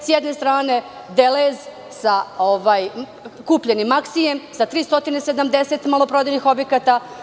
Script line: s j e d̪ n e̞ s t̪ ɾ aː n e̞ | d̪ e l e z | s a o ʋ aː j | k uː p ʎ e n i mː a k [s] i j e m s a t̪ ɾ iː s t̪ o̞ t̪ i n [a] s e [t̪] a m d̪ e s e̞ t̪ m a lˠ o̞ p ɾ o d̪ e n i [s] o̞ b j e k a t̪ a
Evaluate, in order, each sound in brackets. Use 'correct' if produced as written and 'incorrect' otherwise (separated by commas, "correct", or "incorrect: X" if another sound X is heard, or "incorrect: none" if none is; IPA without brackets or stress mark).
correct, incorrect: e, incorrect: d̪, incorrect: x